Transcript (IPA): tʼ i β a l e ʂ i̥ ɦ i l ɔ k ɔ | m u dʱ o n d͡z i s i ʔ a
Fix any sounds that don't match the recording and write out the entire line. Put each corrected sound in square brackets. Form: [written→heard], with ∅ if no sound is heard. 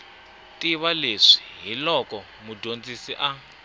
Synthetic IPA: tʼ i β a l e ʂ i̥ ɦ i l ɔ k ɔ | m u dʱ o n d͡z i s i ʔ a